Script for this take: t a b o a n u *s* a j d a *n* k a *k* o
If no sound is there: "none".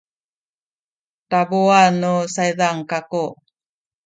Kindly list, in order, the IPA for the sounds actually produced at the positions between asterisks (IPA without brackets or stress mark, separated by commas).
s, ŋ, k